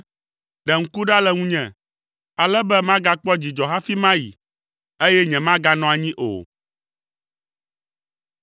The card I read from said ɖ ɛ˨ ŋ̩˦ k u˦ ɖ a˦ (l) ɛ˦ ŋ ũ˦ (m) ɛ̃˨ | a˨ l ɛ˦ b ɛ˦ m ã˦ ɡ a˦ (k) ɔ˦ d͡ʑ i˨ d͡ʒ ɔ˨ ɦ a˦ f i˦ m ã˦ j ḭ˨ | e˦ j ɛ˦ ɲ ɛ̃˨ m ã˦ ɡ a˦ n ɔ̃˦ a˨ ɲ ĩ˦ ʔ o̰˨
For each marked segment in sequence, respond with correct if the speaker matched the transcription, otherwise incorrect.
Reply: correct, incorrect: ɲ, incorrect: k͡p

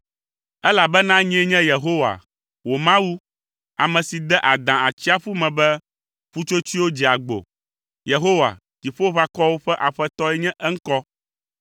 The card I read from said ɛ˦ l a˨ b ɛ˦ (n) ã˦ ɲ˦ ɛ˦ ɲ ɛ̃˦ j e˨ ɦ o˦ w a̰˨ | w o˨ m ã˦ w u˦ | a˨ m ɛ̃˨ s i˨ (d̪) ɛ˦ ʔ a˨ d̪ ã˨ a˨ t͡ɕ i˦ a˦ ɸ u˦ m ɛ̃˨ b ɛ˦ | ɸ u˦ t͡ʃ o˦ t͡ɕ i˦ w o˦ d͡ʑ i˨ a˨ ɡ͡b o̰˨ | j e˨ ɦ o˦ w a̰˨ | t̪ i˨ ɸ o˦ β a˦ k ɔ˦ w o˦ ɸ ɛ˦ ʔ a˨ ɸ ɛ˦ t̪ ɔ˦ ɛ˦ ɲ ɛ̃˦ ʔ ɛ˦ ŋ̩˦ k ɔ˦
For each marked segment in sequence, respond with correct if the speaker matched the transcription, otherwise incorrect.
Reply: correct, correct

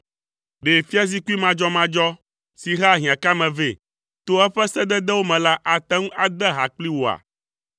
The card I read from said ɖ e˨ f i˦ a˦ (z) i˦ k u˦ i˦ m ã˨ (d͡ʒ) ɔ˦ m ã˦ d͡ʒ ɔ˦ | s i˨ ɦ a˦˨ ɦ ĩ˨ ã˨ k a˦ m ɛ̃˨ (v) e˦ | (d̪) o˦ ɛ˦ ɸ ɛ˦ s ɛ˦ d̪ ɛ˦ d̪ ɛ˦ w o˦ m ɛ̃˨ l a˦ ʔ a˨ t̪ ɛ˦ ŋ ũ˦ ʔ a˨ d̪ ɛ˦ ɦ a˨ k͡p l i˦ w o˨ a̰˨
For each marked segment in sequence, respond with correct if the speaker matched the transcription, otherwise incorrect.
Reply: correct, correct, correct, incorrect: t̪

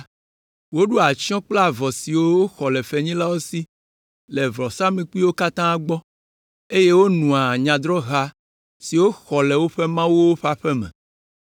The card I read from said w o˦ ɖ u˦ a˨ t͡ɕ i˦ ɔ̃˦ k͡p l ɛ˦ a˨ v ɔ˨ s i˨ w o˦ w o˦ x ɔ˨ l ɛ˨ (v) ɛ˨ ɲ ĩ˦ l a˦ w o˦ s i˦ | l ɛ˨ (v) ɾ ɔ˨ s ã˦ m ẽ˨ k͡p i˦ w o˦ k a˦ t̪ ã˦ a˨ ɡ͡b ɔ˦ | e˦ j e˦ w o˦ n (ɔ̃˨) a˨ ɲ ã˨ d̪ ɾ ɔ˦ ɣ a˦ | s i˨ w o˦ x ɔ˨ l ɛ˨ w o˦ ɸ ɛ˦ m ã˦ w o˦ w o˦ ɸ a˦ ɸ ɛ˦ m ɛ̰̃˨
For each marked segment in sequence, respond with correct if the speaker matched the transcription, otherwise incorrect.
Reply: incorrect: f, correct, incorrect: ũ˨

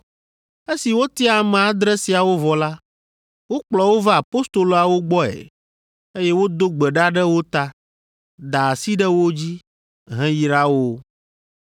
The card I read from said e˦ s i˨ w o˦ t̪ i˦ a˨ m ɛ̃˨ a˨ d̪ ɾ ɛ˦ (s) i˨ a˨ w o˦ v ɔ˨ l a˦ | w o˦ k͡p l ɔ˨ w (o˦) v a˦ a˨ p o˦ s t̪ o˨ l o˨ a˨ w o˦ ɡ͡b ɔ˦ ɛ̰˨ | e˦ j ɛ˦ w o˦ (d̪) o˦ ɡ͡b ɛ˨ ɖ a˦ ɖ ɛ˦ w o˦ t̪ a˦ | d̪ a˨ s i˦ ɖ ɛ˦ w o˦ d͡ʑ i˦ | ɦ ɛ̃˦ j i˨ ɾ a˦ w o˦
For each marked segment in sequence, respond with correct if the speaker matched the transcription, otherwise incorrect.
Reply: correct, correct, correct

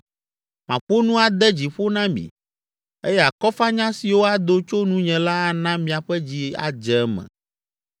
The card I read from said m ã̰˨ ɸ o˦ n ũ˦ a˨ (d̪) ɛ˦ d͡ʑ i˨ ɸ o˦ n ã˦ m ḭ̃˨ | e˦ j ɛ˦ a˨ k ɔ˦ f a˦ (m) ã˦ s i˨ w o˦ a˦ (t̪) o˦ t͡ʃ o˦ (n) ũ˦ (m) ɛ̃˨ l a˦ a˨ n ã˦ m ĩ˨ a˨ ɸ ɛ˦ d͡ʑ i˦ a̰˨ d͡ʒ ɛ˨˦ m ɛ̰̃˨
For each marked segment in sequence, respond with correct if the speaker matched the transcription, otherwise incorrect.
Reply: correct, incorrect: ɲ, incorrect: d̪, correct, incorrect: ɲ

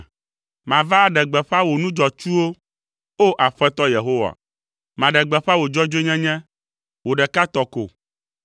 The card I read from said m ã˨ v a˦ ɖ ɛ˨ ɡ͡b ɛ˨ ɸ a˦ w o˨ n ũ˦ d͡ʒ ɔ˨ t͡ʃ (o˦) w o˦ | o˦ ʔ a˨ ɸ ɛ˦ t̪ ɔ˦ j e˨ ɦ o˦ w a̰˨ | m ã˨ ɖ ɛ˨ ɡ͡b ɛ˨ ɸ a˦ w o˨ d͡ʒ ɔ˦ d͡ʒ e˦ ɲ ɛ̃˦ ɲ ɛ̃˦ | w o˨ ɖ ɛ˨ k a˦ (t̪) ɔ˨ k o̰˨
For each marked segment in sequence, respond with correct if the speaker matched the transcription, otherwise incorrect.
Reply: incorrect: u˦, correct

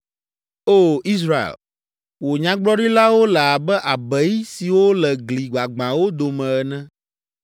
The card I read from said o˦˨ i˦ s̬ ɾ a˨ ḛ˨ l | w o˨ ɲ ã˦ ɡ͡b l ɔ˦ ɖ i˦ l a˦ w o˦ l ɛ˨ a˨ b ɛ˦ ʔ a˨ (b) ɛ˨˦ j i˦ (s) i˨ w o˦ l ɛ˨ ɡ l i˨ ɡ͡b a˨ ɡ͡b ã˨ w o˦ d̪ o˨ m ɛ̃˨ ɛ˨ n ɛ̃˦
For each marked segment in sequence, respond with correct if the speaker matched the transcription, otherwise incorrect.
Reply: correct, correct

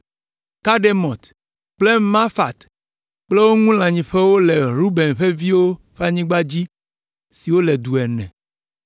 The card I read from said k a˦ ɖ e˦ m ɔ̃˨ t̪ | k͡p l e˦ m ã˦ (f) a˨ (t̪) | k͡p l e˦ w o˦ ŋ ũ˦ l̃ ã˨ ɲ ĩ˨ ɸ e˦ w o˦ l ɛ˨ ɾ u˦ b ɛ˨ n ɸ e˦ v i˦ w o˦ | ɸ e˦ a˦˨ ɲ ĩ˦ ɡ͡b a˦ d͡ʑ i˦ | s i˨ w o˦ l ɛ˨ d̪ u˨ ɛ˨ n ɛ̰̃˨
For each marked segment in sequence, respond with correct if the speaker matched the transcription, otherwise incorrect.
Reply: correct, correct

